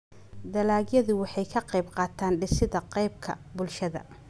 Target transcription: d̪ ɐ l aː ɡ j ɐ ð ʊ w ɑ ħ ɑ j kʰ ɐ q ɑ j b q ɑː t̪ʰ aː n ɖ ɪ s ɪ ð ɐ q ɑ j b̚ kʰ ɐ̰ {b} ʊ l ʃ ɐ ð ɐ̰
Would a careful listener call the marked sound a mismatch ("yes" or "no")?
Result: no